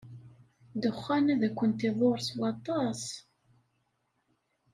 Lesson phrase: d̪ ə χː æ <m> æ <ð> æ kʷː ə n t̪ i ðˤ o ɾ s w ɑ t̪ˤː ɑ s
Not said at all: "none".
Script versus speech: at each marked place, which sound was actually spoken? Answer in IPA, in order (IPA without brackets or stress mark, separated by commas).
n, ð